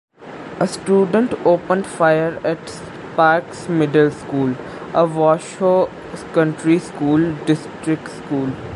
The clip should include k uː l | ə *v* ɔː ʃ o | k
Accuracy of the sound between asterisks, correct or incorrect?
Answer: incorrect: ʋ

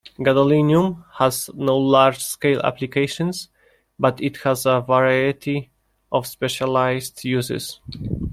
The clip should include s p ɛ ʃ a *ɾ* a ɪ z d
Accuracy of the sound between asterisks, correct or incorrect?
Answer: incorrect: l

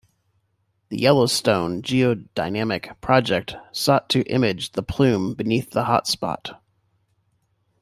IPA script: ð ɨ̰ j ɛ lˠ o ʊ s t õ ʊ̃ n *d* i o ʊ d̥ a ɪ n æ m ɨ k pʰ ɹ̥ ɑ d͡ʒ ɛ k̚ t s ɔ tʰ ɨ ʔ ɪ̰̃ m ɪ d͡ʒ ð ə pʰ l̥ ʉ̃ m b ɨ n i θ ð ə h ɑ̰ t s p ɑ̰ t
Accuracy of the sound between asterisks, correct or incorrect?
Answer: incorrect: d͡ʒ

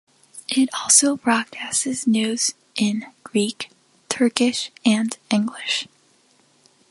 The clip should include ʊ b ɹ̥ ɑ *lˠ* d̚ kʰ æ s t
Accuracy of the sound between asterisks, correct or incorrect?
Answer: incorrect: none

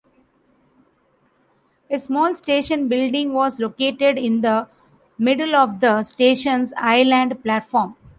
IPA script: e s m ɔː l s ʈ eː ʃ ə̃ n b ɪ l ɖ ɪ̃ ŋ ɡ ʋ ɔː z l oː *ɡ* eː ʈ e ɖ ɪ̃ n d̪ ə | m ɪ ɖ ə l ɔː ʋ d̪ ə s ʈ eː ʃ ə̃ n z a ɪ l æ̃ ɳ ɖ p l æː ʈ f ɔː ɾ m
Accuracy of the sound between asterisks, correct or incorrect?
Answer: incorrect: k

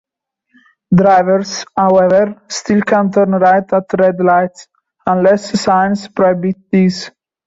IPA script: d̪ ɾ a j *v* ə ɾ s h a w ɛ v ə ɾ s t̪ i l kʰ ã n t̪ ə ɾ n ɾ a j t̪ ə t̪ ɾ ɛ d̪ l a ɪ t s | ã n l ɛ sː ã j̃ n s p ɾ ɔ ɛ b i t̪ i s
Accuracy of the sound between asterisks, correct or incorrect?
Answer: correct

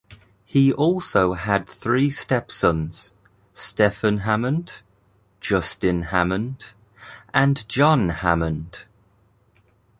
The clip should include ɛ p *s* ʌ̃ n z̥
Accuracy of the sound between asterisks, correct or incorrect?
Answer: correct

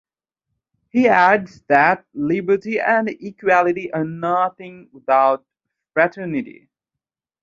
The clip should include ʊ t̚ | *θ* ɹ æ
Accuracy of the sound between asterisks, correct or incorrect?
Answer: incorrect: f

